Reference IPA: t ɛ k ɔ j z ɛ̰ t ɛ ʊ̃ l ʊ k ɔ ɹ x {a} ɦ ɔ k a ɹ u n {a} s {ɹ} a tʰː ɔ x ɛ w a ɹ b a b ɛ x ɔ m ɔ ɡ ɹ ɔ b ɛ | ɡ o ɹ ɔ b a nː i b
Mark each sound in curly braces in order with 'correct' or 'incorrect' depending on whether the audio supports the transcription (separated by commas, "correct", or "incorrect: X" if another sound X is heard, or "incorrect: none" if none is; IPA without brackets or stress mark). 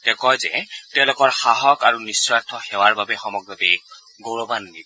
correct, incorrect: i, correct